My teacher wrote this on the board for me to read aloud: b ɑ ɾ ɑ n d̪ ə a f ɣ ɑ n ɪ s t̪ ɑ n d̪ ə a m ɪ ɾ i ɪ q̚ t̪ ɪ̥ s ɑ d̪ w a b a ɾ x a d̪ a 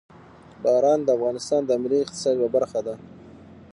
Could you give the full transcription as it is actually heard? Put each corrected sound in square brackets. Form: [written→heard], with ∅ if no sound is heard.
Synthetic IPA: b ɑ ɾ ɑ n d̪ ə a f ɣ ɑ n ɪ s t̪ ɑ n d̪ ə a m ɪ [ɾ→l] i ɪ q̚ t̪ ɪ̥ s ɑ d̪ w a b a ɾ x a d̪ a